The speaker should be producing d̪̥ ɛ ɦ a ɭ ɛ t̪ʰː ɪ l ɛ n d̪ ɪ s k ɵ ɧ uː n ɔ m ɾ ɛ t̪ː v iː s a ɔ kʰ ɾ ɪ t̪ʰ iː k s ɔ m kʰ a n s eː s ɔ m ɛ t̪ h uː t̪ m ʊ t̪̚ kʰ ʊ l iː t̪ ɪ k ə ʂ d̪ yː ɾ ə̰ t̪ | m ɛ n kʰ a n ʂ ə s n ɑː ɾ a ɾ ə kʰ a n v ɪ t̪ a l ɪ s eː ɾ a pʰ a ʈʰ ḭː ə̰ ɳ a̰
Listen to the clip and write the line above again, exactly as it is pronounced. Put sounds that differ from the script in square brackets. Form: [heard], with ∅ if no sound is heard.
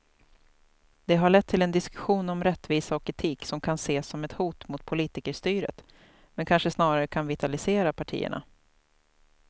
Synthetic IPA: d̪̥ ɛ ɦ a ɭ ɛ t̪ʰː ɪ l ɛ n d̪ ɪ s k ɵ ɧ uː n ɔ m ɾ ɛ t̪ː v iː s a ɔ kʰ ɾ ɪ t̪ʰ iː k s ɔ m kʰ a n s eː s ɔ m ɛ t̪ h uː t̪ m ʊ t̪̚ [pʰ] ʊ l iː t̪ ɪ k ə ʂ [t̪] yː ɾ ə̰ t̪ | m ɛ n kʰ a n ʂ ə s n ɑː ɾ a ɾ ə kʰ a n v ɪ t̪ a l ɪ s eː ɾ a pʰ a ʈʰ ḭː ə̰ ɳ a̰